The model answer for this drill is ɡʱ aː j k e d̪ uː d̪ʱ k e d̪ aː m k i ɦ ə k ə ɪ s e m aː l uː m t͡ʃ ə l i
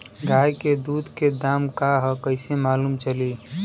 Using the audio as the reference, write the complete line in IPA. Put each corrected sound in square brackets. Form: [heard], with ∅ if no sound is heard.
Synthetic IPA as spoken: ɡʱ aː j k e d̪ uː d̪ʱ k e d̪ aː m k [a] ɦ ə k ə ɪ s e m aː l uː m t͡ʃ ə l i